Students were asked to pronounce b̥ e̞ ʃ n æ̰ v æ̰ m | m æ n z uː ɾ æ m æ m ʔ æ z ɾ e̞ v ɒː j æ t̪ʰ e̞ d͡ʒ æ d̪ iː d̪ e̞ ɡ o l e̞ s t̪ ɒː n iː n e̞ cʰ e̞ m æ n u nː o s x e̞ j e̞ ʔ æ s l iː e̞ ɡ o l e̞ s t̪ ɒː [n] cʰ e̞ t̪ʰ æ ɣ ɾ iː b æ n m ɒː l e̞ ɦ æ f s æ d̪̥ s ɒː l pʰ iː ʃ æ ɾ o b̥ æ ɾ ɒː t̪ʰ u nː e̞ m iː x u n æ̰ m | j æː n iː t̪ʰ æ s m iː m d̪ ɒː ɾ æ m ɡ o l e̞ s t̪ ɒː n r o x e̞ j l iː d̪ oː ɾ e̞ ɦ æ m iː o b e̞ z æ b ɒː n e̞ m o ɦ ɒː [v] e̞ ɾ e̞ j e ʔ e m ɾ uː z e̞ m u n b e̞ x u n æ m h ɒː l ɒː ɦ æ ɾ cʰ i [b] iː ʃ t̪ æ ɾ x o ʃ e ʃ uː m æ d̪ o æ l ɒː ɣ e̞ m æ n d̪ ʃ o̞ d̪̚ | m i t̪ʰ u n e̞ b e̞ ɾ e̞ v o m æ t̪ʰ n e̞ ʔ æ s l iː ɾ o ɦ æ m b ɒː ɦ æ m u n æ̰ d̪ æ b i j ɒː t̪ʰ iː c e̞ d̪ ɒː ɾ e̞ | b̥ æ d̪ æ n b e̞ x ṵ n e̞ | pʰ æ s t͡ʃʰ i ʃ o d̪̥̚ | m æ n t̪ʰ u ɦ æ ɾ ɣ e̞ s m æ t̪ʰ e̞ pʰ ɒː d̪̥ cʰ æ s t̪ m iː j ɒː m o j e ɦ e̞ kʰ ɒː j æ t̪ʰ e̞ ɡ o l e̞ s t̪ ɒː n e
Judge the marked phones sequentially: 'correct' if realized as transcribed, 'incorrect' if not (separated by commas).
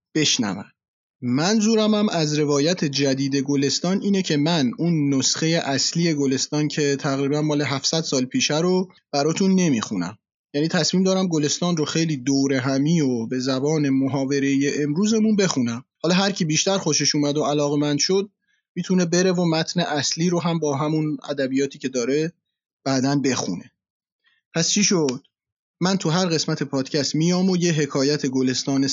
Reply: correct, correct, correct